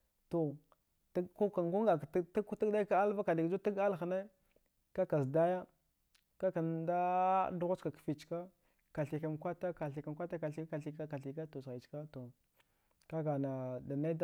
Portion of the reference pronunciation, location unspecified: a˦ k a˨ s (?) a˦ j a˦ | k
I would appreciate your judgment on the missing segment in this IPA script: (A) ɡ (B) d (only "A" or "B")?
B